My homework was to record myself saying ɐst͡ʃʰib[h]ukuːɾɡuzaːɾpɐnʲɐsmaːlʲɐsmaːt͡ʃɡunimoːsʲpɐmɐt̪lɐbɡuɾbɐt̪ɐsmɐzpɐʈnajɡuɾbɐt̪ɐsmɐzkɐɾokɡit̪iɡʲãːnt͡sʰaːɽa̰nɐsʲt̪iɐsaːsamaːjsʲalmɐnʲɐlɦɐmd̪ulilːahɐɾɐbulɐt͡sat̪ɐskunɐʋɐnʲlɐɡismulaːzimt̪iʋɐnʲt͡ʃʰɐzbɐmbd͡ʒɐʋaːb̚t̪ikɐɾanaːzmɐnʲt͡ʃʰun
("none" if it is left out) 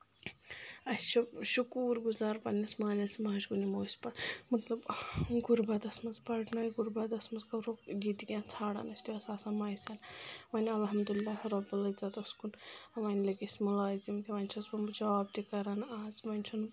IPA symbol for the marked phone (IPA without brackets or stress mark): ʃ